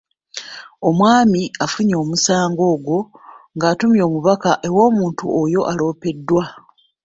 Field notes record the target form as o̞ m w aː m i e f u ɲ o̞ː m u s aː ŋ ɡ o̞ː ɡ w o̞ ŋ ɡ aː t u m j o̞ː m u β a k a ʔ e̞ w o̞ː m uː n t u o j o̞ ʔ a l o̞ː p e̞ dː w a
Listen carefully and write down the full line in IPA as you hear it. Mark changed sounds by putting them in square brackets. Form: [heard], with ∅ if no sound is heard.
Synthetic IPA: o̞ m w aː m i [a] f u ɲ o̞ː m u s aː ŋ ɡ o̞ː ɡ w o̞ ŋ ɡ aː t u m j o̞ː m u β a k a ʔ e̞ w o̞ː m uː n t u o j o̞ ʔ a l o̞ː p e̞ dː w a